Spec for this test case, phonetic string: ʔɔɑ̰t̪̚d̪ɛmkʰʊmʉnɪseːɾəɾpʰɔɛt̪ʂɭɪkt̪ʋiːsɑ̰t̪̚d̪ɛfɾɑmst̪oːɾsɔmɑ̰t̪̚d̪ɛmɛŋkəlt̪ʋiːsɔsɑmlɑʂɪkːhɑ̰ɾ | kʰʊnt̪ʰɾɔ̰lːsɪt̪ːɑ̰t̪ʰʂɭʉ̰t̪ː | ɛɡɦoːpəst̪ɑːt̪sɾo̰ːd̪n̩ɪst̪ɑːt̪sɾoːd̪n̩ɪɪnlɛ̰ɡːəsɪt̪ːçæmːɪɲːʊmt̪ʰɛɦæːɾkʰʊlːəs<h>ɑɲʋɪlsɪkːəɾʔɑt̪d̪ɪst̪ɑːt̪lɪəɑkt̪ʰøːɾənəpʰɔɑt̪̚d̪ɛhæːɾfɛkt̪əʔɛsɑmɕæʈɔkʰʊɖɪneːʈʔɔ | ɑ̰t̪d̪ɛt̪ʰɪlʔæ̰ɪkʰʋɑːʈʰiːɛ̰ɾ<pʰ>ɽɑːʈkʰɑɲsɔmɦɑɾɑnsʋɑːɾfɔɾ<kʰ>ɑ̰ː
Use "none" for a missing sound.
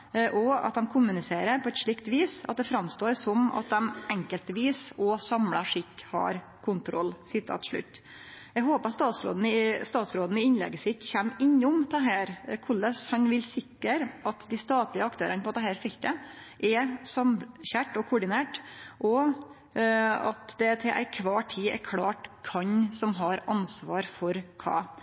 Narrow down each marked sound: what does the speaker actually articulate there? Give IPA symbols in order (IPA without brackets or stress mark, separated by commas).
h, kʰ, kʰ